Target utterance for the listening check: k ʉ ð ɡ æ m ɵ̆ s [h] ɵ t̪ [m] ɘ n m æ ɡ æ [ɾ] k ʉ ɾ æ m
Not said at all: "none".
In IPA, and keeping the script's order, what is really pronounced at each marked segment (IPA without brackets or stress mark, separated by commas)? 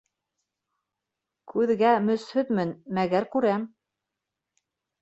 h, m, ɾ